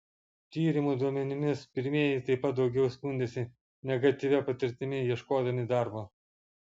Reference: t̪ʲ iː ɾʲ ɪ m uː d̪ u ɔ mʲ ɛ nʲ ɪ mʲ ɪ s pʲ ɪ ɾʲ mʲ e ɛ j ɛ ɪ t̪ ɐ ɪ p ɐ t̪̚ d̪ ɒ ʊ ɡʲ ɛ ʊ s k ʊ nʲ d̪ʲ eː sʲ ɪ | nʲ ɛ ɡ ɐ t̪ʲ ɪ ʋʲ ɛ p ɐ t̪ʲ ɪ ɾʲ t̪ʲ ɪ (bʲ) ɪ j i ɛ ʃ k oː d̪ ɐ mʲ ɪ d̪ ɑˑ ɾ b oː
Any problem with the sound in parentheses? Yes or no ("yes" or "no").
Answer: yes